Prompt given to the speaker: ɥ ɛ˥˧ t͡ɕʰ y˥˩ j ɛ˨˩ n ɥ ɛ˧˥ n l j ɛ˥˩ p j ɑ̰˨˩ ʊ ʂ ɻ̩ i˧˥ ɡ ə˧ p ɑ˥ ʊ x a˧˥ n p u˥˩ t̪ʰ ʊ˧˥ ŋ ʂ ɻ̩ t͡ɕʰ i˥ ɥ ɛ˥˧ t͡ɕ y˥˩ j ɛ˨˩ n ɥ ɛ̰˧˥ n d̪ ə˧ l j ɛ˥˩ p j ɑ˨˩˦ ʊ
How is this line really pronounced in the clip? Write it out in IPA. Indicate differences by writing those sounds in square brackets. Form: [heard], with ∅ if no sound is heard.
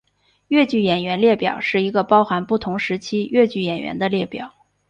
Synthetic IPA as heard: ɥ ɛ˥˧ [t͡ɕ] y˥˩ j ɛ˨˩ n ɥ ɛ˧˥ n l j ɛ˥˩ p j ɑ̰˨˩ ʊ ʂ ɻ̩ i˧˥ ɡ ə˧ p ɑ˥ ʊ x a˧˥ n p u˥˩ t̪ʰ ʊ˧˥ ŋ ʂ ɻ̩ t͡ɕʰ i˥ ɥ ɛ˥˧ t͡ɕ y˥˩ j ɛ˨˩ n ɥ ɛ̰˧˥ n d̪ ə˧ l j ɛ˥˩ p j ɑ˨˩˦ ʊ